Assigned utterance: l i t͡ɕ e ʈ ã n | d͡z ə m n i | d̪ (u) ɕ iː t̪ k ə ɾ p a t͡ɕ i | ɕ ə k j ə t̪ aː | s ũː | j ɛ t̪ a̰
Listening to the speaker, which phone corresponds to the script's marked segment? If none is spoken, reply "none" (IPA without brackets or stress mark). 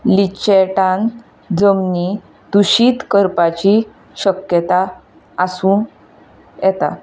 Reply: u